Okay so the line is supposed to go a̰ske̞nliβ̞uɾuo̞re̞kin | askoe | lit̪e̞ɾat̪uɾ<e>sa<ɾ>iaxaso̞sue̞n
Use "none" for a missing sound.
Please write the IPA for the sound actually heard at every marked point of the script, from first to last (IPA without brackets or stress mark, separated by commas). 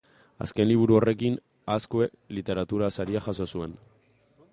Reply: a, ɾ